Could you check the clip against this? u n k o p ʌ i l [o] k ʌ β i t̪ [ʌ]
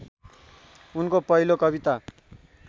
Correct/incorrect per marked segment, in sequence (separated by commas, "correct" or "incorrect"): correct, incorrect